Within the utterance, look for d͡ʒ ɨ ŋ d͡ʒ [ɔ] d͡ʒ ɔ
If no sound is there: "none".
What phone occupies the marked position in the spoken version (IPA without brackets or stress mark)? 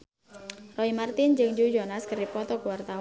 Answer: u